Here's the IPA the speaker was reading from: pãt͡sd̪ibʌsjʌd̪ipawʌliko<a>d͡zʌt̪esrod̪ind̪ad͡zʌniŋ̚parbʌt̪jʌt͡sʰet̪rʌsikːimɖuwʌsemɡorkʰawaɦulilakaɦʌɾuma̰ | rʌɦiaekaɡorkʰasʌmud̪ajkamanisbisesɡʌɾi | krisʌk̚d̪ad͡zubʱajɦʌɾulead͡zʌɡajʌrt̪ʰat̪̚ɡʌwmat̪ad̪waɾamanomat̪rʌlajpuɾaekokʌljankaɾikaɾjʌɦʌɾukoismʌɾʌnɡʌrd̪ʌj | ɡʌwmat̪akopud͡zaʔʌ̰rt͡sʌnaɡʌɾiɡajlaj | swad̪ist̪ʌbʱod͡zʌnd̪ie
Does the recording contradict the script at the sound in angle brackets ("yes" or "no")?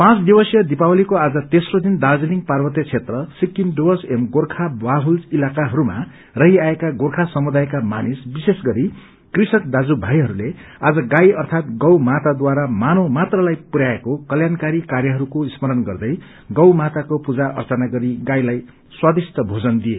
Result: no